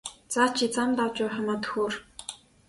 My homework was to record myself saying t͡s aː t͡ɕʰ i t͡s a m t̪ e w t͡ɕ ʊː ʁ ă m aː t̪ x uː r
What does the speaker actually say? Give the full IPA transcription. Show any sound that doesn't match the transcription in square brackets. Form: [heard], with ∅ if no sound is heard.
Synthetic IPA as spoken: t͡s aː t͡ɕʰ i t͡s a m t̪ [a] w t͡ɕ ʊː [χ] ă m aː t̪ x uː r